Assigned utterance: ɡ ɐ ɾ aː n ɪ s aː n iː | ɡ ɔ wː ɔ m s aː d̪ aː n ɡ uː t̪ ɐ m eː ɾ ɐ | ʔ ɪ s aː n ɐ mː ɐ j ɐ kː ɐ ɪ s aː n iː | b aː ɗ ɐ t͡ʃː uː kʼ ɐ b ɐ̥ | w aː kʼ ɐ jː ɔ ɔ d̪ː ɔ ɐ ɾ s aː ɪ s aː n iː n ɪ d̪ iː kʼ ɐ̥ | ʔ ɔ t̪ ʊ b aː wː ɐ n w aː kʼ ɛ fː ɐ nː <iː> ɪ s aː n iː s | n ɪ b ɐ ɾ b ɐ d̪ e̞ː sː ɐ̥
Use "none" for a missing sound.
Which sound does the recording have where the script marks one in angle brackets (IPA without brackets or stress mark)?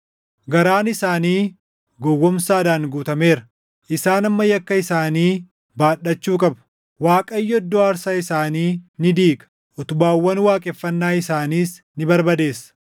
aː